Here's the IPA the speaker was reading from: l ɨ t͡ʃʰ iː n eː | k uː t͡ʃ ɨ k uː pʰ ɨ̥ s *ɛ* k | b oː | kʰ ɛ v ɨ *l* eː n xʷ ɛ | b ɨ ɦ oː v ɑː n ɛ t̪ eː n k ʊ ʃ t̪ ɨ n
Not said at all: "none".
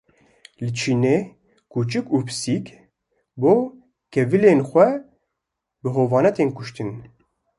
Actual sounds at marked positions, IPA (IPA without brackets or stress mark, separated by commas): i, l